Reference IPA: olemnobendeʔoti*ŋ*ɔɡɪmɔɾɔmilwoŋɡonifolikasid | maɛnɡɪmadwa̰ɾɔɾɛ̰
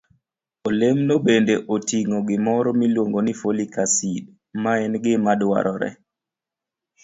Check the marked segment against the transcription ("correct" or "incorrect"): correct